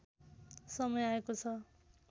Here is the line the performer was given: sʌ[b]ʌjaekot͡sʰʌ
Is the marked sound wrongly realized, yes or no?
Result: yes